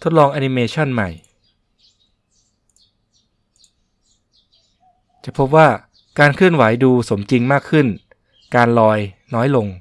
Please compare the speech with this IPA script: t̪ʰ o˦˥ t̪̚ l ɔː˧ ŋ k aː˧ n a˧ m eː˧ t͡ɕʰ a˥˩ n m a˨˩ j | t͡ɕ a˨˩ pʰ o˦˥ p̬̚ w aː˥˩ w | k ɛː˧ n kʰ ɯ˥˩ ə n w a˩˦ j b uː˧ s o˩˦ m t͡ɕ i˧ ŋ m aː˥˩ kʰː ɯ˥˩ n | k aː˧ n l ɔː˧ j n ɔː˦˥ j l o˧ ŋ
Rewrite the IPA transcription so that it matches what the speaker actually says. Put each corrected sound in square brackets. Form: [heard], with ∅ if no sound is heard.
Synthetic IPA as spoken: t̪ʰ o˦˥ t̪̚ l ɔː˧ ŋ [ʔ] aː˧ n [i˧] m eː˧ t͡ɕʰ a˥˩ n m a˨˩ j | t͡ɕ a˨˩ pʰ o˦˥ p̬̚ w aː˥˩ [∅] | k [aː˧] n kʰ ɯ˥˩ ə n w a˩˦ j [d] uː˧ s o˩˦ m t͡ɕ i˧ ŋ m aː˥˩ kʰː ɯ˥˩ n | k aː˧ n l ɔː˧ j n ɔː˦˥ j l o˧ ŋ